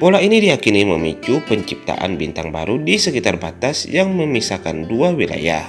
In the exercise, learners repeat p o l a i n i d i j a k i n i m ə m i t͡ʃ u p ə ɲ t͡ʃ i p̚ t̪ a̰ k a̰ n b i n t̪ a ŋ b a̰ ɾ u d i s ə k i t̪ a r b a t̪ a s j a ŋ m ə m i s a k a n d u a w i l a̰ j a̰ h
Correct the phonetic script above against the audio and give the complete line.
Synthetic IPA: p o l a i n i d i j a k i n i m ə m i t͡ʃ u p ə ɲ t͡ʃ i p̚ t̪ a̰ ʔ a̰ n b i n t̪ a ŋ b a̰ ɾ u d i s ə k i t̪ a r b a t̪ a s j a ŋ m ə m i s a k a n d u a w i l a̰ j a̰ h